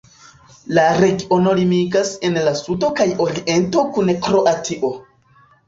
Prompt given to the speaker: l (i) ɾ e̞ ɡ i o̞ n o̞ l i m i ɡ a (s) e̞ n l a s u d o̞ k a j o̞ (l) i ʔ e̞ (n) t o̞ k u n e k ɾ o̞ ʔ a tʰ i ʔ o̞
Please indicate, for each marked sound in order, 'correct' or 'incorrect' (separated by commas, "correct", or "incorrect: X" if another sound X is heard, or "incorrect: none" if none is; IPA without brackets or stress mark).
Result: incorrect: a, correct, incorrect: ɾ, correct